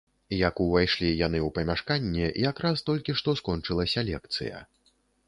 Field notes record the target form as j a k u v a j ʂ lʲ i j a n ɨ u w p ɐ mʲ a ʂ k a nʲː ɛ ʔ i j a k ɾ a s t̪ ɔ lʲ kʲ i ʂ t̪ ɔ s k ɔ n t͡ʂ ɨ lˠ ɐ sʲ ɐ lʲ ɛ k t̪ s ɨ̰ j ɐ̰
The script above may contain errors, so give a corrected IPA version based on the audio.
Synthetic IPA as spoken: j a k u v a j ʂ lʲ i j a n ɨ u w p ɐ mʲ a ʂ k a nʲː ɛ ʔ i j a k ɾ a s t̪ ɔ lʲ kʲ i ʂ t̪ ɔ s k ɔ n t͡ʂ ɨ lˠ ɐ sʲ ɐ lʲ ɛ k t̪ s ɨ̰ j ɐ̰